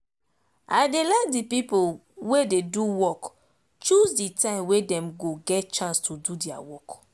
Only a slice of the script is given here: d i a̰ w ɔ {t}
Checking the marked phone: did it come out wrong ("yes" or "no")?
yes